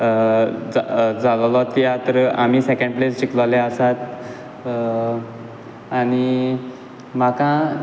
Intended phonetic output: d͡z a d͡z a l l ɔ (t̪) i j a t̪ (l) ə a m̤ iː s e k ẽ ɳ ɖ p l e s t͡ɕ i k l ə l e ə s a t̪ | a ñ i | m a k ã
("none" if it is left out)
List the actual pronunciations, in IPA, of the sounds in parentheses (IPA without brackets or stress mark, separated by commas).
t̪, ɾ